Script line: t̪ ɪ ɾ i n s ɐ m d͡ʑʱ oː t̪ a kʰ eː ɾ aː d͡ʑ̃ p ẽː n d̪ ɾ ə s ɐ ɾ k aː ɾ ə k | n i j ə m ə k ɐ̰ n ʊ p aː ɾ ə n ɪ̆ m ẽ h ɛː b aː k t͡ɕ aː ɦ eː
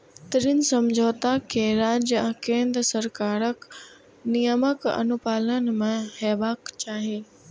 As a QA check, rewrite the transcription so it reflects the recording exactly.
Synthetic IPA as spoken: t̪ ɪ ɾ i n s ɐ m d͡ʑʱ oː t̪ a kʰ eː ɾ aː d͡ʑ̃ k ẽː n d̪ ɾ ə s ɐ ɾ k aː ɾ ə k | n i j ə m ə k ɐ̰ n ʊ p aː l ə n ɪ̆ m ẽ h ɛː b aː k t͡ɕ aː ɦ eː